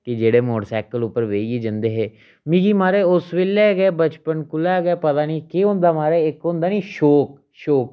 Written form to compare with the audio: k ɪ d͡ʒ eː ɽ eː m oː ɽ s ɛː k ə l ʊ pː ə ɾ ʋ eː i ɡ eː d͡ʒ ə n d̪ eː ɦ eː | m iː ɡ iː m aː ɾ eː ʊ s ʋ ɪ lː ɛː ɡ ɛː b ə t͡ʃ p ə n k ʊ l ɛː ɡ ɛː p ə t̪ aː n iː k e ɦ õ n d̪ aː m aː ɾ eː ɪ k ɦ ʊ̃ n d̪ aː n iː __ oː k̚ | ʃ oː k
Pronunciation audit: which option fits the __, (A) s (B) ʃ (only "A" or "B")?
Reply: B